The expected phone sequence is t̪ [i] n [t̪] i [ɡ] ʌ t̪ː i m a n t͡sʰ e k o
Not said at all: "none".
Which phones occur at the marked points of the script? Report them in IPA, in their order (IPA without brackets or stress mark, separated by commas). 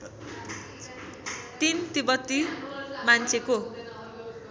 i, t̪, b